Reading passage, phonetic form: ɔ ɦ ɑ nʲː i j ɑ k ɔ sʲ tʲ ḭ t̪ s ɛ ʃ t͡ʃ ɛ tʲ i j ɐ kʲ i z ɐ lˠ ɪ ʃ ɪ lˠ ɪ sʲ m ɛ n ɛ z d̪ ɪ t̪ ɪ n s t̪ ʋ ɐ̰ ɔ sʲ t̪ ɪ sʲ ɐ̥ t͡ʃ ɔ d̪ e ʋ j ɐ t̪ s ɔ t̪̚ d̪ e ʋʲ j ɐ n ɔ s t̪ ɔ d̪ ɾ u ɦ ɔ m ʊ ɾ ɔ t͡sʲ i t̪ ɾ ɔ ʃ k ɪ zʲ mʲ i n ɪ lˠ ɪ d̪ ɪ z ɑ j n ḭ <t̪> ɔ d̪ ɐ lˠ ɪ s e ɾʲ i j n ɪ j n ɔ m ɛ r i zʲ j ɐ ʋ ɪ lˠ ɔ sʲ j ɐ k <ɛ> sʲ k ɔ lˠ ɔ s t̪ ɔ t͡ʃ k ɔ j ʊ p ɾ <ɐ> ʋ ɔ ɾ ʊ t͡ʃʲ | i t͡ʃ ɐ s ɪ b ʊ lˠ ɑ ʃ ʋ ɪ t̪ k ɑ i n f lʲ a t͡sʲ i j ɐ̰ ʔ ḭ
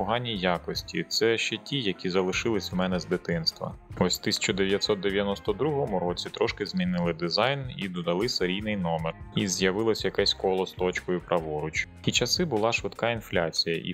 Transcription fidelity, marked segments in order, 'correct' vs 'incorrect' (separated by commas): incorrect, correct, correct